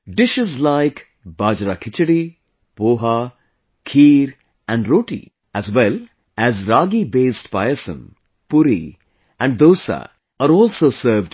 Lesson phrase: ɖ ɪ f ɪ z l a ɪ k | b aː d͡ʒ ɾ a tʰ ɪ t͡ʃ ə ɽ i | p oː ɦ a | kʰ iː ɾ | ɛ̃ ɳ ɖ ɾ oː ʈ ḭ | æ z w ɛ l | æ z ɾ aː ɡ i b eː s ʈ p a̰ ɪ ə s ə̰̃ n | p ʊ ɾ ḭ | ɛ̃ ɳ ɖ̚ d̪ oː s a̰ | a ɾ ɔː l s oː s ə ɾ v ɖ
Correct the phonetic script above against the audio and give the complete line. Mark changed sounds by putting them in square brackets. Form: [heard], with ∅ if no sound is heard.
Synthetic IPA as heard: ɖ ɪ [ʃ] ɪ z l a ɪ k | b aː d͡ʒ ɾ a [kʰ] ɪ t͡ʃ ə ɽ i | p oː ɦ a | kʰ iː ɾ | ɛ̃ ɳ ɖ ɾ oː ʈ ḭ | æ z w ɛ l | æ z ɾ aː ɡ i b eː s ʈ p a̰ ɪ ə s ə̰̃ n | p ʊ ɾ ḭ | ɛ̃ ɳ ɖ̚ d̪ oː s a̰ | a ɾ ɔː l s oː s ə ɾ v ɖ